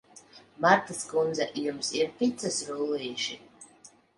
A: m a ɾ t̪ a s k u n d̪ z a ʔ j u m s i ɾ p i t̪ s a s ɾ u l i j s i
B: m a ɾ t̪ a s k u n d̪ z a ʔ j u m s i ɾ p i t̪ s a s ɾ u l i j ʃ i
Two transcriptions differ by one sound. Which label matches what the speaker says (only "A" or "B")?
B